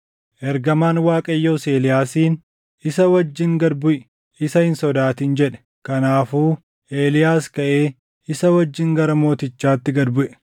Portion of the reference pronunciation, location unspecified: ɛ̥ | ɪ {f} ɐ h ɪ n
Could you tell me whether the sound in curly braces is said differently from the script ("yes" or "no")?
yes